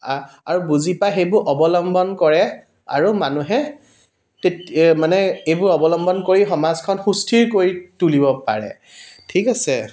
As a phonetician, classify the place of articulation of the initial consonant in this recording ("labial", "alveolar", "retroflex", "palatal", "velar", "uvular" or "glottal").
alveolar